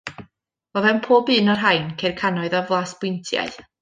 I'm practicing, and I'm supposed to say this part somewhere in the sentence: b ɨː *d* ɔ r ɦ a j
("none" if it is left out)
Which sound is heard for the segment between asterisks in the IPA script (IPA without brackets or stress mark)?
n